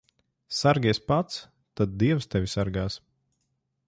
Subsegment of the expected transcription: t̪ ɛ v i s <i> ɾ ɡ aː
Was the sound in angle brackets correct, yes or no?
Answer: no